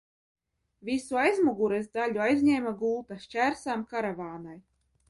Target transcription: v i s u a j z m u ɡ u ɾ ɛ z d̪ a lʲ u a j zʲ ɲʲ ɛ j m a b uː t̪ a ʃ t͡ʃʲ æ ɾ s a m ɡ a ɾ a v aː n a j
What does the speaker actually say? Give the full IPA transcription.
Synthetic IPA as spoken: v i s u a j z m u ɡ u ɾ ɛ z d̪ a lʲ u a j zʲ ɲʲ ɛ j m a ɡ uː t̪ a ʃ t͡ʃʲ æ ɾ s a m k a ɾ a v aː n a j